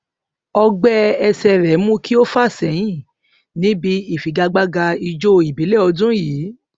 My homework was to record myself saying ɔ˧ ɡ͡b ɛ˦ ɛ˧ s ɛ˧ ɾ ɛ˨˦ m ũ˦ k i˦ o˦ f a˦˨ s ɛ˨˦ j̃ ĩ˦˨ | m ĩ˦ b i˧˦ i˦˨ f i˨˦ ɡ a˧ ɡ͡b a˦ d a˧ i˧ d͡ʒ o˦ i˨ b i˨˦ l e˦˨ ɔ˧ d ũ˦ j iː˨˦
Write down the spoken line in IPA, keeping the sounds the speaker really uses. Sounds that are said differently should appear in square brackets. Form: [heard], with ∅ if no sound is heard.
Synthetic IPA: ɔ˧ ɡ͡b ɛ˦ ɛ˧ s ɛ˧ ɾ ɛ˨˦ m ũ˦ k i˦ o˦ f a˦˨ s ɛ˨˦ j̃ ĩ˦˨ | [n] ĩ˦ b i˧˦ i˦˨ f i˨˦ ɡ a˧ ɡ͡b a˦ [ɡ] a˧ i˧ d͡ʒ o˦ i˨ b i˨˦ l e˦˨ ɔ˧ d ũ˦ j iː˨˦

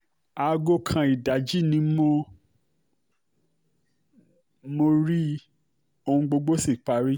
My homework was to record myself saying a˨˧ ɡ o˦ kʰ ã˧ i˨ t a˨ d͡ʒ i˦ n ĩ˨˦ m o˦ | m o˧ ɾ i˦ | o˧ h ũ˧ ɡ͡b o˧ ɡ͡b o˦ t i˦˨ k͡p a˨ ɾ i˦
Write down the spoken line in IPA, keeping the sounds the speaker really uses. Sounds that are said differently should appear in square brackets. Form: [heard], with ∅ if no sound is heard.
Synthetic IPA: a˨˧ ɡ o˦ kʰ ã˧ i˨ [d] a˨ d͡ʒ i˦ n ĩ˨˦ m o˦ | m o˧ ɾ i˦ | o˧ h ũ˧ ɡ͡b o˧ ɡ͡b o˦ [s] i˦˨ k͡p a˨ ɾ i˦

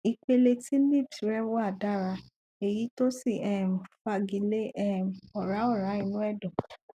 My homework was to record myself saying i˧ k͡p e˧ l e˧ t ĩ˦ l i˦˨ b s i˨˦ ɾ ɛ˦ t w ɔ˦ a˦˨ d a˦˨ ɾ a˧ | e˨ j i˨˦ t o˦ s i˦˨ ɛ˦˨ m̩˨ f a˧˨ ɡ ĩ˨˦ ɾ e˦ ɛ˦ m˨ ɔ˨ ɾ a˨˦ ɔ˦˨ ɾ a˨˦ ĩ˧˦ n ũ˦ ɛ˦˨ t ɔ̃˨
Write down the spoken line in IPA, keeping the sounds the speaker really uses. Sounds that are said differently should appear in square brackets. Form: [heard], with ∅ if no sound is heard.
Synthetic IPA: i˧ k͡p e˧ l e˧ t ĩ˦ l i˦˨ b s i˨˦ ɾ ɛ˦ [∅] w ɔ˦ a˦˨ d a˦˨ ɾ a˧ | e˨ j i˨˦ t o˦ s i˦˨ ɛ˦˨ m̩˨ f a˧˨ ɡ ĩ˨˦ [l] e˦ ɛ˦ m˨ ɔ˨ ɾ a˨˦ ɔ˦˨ ɾ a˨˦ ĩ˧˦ n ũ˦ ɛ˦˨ [d] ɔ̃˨

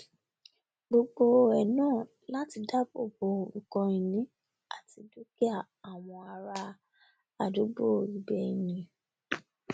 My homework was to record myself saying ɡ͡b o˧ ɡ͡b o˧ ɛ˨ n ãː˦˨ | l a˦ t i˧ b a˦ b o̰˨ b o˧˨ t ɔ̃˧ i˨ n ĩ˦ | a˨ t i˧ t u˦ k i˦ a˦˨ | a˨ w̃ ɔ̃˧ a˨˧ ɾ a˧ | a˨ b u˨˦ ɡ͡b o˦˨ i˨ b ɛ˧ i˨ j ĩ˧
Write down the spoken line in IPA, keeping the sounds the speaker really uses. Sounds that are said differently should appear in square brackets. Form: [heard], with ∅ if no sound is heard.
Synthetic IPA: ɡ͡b o˧ ɡ͡b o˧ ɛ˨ n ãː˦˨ | l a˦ t i˧ [d] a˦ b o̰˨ b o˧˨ [k] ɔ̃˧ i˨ n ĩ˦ | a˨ t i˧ [d] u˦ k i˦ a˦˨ | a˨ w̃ ɔ̃˧ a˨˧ ɾ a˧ | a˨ [d] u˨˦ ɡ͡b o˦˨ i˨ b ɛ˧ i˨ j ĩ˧

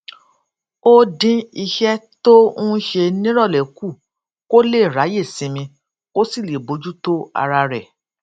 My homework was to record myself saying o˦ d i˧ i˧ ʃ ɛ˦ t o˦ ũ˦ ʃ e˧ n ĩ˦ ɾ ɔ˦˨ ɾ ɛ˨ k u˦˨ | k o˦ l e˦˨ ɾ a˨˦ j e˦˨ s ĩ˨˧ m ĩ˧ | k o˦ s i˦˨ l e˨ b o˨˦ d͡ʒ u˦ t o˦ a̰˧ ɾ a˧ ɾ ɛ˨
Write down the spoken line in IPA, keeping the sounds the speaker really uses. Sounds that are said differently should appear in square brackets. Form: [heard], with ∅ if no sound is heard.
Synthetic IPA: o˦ d [ĩ˧] i˧ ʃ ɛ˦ t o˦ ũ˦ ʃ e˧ n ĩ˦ ɾ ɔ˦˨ [l] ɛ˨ k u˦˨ | k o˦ l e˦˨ ɾ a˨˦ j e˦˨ s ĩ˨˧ m ĩ˧ | k o˦ s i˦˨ l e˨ b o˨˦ d͡ʒ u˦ t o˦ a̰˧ ɾ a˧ ɾ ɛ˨

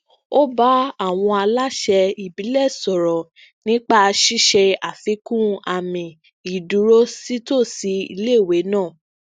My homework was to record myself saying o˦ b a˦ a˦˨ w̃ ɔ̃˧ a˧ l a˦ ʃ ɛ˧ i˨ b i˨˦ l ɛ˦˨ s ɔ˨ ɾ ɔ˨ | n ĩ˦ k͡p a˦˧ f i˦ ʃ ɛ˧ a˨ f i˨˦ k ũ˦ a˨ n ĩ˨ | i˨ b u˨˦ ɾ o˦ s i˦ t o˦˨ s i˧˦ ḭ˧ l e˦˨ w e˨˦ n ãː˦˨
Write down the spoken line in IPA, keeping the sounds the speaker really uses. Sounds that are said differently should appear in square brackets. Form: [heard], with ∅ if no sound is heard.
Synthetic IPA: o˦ b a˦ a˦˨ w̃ ɔ̃˧ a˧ l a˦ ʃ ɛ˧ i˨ b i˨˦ l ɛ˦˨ s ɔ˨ ɾ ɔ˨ | n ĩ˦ k͡p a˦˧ [ʃ] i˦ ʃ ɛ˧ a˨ f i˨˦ k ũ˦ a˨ [m] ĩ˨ | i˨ [d] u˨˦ ɾ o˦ s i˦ t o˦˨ s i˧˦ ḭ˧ l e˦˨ w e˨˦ n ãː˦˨

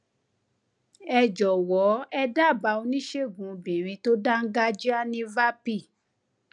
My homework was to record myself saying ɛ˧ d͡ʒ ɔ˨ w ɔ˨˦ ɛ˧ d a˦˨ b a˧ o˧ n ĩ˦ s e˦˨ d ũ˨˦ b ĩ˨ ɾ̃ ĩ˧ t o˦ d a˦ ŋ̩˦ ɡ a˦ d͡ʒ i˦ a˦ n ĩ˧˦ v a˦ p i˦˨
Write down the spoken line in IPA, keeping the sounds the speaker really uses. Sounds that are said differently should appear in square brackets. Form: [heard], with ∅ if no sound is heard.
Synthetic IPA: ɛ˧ d͡ʒ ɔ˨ w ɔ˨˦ ɛ˧ d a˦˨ b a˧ o˧ n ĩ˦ [ʃ] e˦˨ [ɡ] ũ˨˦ b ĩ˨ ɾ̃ ĩ˧ t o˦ d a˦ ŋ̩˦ ɡ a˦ d͡ʒ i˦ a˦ n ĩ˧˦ v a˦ p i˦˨

